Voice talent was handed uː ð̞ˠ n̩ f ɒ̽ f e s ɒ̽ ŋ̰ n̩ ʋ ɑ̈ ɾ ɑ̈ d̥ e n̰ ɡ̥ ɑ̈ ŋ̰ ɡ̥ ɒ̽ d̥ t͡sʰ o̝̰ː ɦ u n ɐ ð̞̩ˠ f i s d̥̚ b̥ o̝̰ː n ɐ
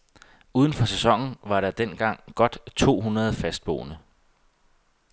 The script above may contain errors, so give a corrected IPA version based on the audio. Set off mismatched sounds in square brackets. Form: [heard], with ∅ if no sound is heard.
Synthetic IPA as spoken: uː ð̞ˠ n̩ f ɒ̽ [s] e s ɒ̽ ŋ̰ n̩ ʋ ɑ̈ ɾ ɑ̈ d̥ e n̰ ɡ̥ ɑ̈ ŋ̰ ɡ̥ ɒ̽ d̥ t͡sʰ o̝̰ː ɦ u n ɐ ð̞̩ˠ f [æ] s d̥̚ b̥ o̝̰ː n [ə]